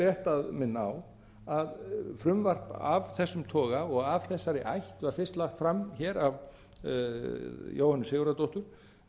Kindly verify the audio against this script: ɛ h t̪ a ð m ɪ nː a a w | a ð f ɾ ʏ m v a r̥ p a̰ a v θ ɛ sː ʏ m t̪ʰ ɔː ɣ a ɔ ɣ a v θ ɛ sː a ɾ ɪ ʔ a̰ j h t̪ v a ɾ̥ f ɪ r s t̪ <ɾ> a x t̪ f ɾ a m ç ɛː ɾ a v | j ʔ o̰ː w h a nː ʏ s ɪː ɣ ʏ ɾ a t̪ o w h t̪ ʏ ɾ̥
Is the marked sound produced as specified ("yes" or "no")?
no